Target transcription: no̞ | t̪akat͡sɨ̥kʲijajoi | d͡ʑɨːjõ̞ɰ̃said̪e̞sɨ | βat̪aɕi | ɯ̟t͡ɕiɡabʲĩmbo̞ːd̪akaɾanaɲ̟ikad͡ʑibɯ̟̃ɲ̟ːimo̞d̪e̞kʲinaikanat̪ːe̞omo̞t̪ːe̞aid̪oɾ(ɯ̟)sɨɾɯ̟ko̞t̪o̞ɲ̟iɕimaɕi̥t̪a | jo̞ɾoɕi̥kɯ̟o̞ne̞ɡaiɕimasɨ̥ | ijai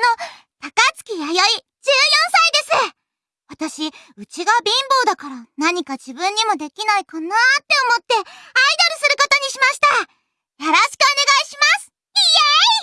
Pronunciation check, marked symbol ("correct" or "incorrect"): correct